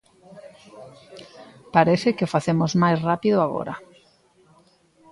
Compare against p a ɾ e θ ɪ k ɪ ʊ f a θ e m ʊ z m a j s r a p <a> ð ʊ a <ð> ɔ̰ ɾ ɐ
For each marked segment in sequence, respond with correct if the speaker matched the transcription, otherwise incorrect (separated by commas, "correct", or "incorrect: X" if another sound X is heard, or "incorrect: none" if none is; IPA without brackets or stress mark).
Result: incorrect: i, incorrect: ɣ